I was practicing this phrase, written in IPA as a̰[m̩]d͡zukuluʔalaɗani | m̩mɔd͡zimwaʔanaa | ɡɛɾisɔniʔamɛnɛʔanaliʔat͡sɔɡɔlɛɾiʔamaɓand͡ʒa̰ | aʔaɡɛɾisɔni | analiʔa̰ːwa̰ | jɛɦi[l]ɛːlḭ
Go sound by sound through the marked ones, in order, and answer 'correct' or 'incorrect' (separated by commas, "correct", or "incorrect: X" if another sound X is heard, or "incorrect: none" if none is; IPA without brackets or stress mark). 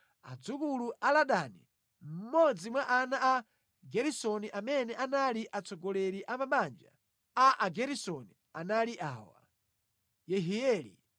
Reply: incorrect: none, incorrect: none